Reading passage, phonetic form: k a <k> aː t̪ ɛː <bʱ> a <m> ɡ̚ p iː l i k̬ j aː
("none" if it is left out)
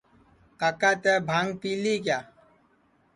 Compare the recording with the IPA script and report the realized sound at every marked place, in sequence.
k, bʱ, ŋ

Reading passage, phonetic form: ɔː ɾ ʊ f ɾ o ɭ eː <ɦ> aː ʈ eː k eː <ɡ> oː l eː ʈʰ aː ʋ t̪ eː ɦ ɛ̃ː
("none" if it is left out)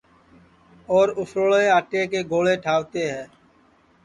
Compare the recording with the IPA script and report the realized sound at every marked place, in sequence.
none, ɡ

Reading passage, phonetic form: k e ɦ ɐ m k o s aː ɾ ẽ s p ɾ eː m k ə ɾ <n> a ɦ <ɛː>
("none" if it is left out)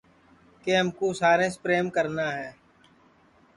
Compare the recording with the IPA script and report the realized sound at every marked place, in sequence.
n, ɛː

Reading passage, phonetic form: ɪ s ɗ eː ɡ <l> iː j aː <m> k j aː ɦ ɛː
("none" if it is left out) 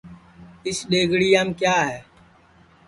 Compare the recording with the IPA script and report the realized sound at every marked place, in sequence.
ɽ, m

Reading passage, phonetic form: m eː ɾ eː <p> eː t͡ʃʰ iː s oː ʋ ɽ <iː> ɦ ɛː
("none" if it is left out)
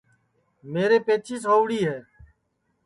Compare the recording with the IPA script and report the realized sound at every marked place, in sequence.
p, iː

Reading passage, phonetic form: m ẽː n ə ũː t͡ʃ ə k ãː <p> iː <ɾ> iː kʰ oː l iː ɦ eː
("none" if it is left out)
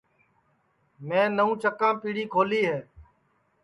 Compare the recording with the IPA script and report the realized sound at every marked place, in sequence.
p, ɽ

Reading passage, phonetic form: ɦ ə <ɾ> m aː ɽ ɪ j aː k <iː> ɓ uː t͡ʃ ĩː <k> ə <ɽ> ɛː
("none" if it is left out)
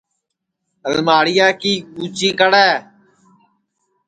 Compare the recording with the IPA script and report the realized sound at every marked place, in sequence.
l, iː, k, ɽ

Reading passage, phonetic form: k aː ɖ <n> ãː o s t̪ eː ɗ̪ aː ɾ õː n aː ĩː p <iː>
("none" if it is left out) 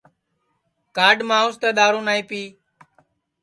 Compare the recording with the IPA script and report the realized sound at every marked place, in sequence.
m, iː

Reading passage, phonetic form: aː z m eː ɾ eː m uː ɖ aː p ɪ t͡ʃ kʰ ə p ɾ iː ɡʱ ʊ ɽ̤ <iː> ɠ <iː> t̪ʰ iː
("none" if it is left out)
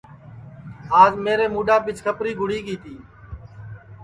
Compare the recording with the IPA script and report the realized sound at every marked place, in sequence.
iː, iː

